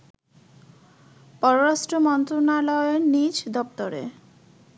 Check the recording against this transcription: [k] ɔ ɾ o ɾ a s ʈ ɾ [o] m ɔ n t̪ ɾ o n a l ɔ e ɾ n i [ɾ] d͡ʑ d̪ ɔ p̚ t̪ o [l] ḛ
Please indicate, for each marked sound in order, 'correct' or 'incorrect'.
incorrect: p, correct, incorrect: none, incorrect: ɾ

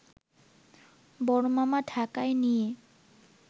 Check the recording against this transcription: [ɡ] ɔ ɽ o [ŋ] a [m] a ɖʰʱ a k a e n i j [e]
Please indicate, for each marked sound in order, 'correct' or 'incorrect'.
incorrect: b, incorrect: m, correct, correct

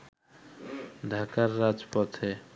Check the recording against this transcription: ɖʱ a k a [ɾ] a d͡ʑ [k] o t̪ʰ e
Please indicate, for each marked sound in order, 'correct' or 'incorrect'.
incorrect: ɾː, incorrect: p

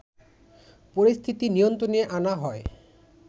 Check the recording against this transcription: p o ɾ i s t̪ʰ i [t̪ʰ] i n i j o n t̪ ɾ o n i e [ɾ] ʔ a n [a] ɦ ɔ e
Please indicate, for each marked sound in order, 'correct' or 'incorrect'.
incorrect: t̪, incorrect: none, correct

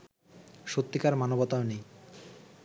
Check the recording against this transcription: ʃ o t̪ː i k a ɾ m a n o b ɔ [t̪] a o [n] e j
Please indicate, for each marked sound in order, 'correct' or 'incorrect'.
correct, correct

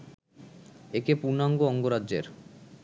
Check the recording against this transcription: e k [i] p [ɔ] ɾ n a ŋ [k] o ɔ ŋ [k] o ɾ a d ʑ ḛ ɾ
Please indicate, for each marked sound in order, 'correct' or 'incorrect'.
incorrect: e, incorrect: u, incorrect: ɡ, incorrect: ɡ

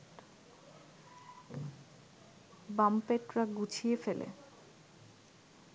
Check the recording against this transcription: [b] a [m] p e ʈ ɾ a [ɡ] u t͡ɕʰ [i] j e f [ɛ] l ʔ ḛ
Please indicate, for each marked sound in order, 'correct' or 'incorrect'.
correct, correct, correct, correct, incorrect: e

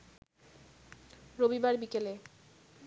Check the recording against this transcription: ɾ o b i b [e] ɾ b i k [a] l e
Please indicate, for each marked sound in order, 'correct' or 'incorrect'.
incorrect: a, incorrect: e

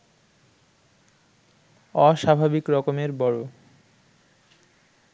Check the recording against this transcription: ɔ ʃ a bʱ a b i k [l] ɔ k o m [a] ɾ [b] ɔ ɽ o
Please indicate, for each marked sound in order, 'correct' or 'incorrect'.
incorrect: ɾ, incorrect: e, correct

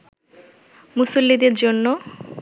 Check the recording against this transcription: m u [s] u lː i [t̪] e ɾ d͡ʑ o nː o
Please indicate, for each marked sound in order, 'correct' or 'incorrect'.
correct, incorrect: d̪

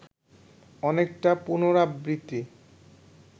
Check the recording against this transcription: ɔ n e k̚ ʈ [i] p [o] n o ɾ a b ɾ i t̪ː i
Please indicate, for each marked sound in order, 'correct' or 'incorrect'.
incorrect: a, incorrect: u

